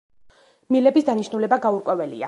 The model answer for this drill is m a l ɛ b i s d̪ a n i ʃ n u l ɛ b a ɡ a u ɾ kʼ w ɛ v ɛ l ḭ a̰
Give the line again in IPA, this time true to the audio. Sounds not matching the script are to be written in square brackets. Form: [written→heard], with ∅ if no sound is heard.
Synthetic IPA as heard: m [a→i] l ɛ b i s d̪ a n i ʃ n u l ɛ b a ɡ a u ɾ kʼ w ɛ v ɛ l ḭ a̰